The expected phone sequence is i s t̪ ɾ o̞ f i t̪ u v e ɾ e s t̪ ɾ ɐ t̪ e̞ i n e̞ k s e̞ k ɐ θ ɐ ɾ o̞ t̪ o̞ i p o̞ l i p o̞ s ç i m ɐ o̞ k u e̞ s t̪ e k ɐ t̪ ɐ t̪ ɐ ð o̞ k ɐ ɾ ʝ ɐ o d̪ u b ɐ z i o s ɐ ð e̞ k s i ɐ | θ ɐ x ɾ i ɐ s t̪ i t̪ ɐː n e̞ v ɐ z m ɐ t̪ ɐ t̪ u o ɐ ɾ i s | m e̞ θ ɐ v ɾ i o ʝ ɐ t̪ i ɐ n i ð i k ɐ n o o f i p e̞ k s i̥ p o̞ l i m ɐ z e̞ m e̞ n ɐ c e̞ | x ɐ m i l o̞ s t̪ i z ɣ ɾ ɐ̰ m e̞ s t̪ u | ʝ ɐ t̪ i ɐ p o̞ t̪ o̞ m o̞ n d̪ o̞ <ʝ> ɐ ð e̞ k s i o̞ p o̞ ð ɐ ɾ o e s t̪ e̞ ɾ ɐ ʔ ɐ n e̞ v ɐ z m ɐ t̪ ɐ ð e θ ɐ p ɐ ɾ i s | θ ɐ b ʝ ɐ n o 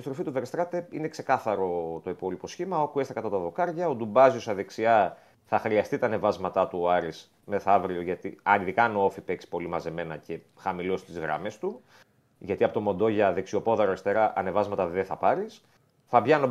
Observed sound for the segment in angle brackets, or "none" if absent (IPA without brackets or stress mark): ʝ